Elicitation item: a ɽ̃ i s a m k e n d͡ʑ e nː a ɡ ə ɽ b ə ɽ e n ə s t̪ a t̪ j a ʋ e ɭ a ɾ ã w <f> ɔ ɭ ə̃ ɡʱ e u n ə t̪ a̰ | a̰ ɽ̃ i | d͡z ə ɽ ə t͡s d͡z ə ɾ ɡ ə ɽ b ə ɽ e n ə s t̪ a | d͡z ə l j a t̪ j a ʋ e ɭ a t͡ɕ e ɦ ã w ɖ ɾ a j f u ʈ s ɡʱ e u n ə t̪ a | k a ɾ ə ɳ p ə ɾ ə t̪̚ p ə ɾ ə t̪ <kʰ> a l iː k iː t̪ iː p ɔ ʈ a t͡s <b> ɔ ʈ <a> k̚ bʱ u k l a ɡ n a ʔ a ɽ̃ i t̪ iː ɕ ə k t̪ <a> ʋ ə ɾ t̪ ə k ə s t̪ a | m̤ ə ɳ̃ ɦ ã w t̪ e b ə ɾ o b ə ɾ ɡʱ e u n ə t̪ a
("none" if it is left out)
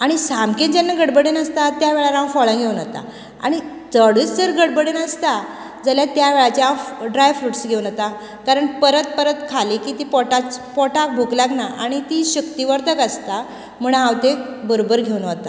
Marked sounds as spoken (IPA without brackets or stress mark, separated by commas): f, kʰ, p, a, i